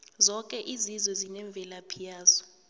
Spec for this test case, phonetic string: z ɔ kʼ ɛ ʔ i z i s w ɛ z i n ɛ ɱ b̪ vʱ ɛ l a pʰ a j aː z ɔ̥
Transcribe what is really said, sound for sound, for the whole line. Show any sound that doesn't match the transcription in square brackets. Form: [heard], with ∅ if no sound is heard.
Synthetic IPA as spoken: z ɔ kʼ ɛ ʔ i z i [z] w ɛ z i n ɛ ɱ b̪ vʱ ɛ l a pʰ [i] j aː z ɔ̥